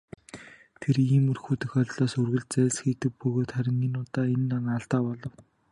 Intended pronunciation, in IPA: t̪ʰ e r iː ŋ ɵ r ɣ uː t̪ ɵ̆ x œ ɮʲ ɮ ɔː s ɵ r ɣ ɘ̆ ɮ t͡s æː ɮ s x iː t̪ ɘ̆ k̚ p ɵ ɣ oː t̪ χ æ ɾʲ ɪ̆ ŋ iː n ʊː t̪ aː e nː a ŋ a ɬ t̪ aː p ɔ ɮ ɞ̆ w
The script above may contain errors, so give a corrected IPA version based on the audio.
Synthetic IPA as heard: t̪ʰ e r iː m ɵ r x uː t̪ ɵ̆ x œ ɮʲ ɮ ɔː s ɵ r ɣ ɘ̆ ɮ t͡s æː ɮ s x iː t̪ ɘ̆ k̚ p ɵ ɣ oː t̪ χ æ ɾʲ ɪ̆ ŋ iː n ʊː t̪ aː e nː a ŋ a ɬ t̪ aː p ɔ ɮ ɞ̆ w